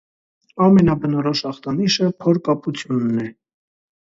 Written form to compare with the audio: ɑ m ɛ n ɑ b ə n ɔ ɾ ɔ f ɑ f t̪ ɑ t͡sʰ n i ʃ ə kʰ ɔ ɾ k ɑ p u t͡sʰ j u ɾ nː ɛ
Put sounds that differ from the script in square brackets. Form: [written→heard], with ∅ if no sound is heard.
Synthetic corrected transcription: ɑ m ɛ n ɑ b ə n ɔ ɾ ɔ [f→ʃ] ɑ [f→χ] t̪ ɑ [t͡sʰ→∅] n i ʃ ə [kʰ→pʰ] ɔ ɾ k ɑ p u t͡sʰ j u [ɾ→∅] nː ɛ